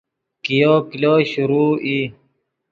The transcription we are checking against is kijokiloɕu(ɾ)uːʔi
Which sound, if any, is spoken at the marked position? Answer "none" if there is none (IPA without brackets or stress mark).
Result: ɾ